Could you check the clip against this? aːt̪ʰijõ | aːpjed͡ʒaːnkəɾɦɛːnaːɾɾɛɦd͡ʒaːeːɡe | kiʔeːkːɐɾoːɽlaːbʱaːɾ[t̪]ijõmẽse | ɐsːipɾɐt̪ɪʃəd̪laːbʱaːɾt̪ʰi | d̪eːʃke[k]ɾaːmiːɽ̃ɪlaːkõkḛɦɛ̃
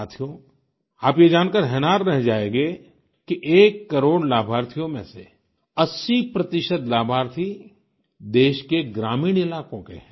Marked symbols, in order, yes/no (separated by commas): no, no